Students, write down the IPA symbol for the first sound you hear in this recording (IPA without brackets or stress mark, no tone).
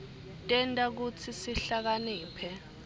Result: tʼ